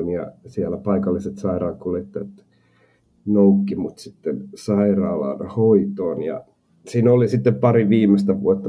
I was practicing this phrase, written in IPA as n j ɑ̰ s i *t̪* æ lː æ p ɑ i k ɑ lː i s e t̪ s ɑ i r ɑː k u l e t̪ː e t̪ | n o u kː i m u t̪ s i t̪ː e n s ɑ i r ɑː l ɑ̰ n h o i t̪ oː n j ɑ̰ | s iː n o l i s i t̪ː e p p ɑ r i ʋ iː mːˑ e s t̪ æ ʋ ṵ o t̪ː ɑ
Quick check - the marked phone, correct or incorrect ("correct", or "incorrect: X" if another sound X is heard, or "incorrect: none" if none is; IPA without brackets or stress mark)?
incorrect: none